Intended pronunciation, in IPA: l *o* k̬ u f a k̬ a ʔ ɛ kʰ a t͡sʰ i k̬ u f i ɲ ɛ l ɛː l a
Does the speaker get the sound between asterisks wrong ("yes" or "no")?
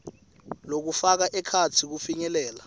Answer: no